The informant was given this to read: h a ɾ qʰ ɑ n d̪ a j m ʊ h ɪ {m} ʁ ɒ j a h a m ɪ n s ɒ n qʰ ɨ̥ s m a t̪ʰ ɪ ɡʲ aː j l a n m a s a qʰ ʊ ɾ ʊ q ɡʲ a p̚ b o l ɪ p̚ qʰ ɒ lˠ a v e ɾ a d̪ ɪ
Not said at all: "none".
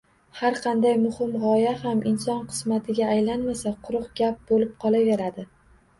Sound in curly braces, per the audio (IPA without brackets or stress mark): m